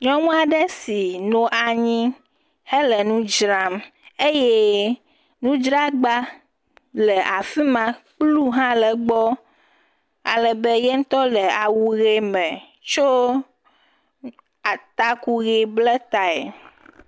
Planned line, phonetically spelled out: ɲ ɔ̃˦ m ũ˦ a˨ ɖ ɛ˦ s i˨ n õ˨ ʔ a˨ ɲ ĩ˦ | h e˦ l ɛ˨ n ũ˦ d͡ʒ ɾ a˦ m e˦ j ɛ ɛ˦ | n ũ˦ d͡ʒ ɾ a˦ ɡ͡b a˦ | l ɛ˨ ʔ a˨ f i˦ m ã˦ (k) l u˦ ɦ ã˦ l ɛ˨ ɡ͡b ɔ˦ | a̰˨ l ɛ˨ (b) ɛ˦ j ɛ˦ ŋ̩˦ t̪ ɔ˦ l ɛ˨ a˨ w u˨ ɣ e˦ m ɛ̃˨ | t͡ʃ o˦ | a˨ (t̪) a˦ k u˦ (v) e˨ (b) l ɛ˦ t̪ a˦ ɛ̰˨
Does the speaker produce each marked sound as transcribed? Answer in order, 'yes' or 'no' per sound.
no, yes, yes, no, yes

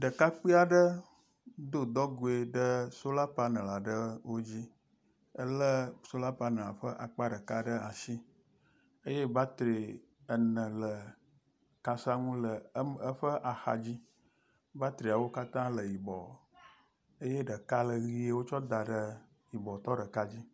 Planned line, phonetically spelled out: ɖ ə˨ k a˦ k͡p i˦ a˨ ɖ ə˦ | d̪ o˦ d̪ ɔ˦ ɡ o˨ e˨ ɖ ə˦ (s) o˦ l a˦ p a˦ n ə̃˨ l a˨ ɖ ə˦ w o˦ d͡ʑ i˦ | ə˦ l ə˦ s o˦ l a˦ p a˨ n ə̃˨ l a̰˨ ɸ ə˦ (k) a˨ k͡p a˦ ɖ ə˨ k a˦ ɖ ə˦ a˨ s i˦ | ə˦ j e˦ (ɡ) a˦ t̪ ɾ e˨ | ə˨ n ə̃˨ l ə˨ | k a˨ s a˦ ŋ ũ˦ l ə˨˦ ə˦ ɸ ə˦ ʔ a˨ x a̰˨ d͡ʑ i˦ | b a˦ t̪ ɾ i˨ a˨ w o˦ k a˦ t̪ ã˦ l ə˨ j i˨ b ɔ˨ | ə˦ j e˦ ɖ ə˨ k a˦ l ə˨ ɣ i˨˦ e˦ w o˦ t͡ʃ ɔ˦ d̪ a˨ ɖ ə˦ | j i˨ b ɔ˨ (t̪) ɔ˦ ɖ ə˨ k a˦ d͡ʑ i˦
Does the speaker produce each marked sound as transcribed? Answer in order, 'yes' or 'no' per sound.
yes, no, no, yes

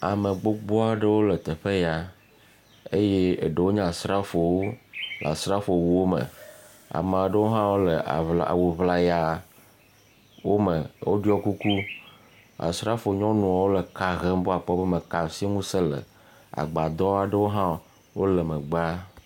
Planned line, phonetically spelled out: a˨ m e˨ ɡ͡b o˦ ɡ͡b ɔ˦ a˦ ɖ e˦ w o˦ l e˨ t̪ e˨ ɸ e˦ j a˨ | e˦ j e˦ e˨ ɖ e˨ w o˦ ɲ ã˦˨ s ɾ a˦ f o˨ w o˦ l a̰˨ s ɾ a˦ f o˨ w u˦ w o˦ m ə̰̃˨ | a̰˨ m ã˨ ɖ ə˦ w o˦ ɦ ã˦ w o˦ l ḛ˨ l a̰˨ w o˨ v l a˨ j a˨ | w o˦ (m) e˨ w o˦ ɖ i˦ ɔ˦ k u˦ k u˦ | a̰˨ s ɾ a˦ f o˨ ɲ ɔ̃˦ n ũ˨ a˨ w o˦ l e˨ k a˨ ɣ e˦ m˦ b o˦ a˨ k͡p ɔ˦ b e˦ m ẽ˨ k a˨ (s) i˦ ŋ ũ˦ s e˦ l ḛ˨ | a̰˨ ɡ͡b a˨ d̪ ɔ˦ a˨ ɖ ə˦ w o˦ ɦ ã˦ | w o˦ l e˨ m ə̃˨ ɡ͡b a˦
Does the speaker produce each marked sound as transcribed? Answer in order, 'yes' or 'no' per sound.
yes, yes

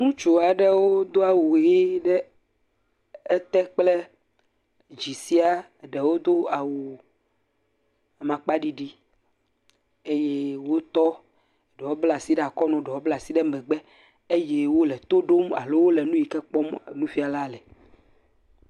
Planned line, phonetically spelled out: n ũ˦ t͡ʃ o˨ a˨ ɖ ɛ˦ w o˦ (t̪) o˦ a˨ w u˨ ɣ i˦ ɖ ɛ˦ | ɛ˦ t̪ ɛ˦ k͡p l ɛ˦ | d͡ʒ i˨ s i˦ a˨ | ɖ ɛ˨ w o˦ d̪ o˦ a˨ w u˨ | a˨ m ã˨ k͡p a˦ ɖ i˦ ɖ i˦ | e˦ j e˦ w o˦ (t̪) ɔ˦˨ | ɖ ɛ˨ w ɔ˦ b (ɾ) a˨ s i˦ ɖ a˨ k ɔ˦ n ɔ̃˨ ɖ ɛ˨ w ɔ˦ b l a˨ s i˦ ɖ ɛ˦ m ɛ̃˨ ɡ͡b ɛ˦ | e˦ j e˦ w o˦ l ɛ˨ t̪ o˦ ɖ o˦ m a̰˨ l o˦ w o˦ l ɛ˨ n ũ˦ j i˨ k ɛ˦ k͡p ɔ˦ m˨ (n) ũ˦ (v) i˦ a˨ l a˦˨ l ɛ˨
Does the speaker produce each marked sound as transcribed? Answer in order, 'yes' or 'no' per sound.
no, yes, no, yes, no

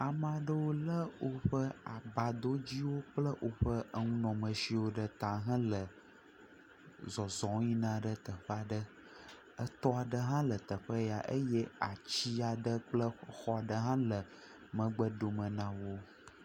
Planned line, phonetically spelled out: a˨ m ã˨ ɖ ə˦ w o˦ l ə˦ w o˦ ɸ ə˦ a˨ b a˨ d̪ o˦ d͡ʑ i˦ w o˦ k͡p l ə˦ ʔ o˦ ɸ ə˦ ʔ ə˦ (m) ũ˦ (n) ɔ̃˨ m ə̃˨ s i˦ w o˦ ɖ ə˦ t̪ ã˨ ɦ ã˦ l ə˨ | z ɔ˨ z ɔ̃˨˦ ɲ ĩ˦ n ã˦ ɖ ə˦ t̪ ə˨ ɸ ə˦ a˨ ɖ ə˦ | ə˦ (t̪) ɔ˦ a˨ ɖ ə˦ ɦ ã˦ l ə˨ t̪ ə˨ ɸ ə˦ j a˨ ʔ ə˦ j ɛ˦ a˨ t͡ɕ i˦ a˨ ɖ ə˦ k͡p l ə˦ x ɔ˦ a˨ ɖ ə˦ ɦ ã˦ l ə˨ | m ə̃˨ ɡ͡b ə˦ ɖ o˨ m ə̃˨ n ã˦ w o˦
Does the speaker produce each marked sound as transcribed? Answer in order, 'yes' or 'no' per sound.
no, yes, yes

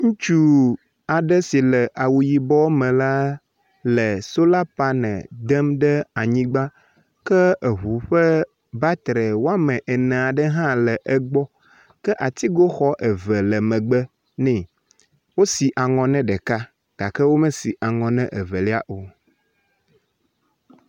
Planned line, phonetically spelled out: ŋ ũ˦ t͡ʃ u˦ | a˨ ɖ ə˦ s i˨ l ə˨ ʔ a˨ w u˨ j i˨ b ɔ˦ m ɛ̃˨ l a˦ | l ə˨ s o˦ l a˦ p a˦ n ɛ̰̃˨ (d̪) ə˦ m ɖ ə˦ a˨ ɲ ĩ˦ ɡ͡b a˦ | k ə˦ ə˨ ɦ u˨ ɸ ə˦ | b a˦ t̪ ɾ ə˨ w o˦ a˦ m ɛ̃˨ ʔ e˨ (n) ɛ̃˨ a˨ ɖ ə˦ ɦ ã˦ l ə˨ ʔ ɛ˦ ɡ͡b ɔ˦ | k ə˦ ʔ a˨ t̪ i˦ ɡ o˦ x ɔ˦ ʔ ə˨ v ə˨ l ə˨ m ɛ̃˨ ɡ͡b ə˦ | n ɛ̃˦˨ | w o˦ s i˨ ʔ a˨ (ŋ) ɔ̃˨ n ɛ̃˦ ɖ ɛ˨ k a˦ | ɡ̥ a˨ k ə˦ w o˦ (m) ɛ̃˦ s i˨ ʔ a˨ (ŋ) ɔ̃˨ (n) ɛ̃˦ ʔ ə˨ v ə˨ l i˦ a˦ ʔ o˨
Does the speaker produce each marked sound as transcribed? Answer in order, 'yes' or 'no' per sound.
yes, yes, yes, yes, yes, yes

